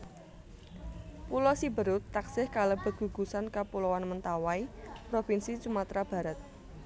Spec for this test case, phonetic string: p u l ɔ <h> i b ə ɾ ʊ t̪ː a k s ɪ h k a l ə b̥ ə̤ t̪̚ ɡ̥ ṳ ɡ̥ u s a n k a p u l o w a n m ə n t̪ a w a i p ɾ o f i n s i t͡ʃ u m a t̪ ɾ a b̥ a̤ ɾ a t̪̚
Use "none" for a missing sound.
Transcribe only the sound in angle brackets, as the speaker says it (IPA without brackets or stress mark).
s